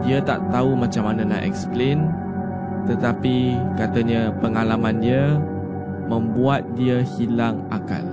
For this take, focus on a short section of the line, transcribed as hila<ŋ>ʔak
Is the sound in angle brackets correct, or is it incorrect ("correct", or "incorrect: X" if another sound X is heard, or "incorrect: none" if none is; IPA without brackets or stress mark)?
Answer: correct